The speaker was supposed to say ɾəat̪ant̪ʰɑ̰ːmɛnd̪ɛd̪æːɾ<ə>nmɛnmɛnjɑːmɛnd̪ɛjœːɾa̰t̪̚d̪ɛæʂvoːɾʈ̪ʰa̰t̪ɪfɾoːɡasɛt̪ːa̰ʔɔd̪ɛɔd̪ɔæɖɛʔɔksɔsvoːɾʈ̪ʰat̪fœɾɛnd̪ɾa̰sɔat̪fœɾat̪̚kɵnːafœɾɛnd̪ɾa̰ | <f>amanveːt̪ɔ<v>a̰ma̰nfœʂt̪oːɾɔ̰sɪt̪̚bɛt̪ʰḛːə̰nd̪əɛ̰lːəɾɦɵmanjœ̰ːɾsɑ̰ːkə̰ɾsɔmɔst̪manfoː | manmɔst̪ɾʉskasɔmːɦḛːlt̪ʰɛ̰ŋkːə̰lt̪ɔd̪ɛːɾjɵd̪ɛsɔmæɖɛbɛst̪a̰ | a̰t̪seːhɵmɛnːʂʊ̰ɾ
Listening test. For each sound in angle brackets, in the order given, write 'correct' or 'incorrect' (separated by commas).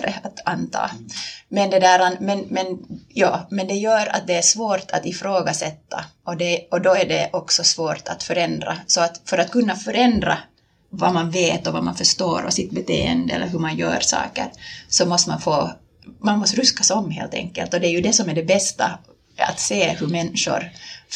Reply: incorrect, incorrect, correct